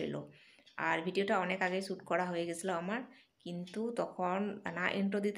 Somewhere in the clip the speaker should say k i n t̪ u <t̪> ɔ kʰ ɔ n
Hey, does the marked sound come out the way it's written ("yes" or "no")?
yes